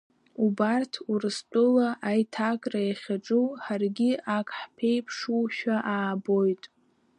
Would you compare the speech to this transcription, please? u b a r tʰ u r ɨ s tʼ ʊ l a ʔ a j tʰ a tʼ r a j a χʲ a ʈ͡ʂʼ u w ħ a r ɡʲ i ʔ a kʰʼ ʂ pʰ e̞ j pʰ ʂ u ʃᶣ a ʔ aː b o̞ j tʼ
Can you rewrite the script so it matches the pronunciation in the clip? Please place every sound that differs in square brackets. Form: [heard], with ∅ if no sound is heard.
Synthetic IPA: u b a r tʰ u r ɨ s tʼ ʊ l a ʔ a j tʰ a [kʼ] r a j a χʲ a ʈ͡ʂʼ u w ħ a r ɡʲ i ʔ a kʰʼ [ħ] pʰ e̞ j pʰ ʂ u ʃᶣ a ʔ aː b o̞ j tʼ